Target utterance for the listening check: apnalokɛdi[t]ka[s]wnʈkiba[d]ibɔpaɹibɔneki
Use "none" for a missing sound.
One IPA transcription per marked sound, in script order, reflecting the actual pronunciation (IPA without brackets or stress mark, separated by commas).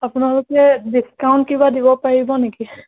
s, none, d